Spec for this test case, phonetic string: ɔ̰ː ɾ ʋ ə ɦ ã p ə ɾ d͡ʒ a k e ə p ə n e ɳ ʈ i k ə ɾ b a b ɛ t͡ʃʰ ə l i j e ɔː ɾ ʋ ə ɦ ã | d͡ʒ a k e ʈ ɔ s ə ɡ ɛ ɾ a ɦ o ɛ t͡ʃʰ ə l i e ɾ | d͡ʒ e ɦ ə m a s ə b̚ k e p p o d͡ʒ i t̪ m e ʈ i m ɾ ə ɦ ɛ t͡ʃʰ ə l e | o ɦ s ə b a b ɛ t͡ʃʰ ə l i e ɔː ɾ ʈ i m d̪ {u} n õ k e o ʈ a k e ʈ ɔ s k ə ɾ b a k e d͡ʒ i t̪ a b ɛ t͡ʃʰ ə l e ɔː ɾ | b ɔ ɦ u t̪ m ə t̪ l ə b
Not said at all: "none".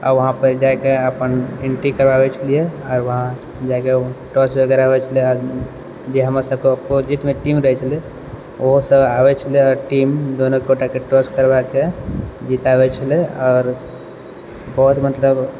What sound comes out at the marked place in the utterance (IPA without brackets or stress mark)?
o